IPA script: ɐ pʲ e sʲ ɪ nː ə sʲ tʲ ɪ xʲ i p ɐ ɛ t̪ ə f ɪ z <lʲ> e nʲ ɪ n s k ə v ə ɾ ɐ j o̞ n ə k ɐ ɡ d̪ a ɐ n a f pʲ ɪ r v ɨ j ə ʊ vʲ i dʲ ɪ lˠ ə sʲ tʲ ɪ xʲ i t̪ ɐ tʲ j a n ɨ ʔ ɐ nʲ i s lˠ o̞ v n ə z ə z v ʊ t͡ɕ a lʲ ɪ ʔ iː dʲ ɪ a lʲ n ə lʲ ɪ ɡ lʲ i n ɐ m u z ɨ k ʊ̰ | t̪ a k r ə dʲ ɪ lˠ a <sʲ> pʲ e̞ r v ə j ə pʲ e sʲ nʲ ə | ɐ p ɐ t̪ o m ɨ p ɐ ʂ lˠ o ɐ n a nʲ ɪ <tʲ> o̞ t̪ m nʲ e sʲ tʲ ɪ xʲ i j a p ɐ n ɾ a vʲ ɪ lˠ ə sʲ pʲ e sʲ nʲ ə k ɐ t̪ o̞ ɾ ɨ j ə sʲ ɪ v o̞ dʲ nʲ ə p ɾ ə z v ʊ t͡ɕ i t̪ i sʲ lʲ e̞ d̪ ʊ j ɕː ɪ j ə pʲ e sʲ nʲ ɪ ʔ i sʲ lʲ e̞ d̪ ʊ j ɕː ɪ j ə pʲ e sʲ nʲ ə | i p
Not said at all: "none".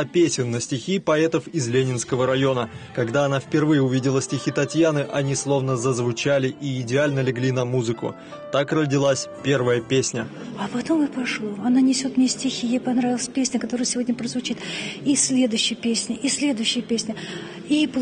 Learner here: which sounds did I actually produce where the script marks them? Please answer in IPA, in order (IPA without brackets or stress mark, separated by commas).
lʲ, sʲ, sʲ